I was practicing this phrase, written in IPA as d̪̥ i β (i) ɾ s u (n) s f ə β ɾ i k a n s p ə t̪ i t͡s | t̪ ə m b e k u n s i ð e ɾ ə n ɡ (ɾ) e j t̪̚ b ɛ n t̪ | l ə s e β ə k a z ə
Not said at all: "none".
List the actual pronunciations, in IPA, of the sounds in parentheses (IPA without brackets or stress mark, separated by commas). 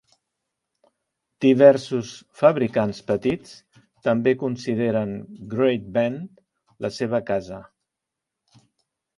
ɛ, none, ɾ